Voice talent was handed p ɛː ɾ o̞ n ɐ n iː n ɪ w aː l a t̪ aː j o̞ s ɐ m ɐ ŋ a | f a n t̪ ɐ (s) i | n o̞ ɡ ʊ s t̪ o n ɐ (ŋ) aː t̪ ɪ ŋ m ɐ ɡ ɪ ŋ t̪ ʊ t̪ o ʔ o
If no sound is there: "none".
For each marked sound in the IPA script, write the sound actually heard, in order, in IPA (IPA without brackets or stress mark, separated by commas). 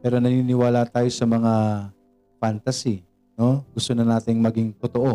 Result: s, n